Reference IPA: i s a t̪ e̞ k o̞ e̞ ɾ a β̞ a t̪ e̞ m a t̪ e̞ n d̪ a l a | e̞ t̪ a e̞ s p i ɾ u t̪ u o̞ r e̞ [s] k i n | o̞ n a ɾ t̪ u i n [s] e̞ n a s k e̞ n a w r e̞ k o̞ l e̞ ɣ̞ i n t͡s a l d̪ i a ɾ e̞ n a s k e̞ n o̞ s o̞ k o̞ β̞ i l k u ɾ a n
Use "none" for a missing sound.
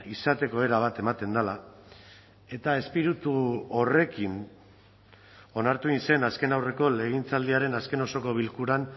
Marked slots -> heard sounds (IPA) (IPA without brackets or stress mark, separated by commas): none, s